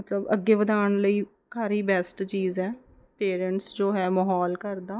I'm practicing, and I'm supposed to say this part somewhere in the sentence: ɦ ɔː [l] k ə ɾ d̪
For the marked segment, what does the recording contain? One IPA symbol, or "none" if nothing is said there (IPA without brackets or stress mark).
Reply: l